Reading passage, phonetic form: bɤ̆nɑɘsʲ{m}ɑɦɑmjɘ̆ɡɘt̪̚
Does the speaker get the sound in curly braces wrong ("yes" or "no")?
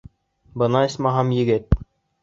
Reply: no